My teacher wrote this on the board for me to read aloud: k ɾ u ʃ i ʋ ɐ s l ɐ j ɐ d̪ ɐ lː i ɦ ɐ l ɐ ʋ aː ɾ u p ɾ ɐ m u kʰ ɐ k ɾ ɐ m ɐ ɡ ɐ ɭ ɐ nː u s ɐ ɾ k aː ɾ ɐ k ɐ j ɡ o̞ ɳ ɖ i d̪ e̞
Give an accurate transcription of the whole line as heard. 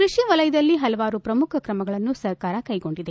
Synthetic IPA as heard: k ɾ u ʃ i ʋ ɐ l ɐ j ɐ d̪ ɐ lː i ɦ ɐ l ɐ ʋ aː ɾ u p ɾ ɐ m u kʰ ɐ k ɾ ɐ m ɐ ɡ ɐ ɭ ɐ nː u s ɐ ɾ k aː ɾ ɐ k ɐ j ɡ o̞ ɳ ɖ i d̪ e̞